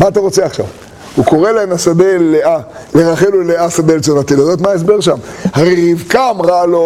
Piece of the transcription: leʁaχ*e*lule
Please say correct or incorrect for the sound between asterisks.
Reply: correct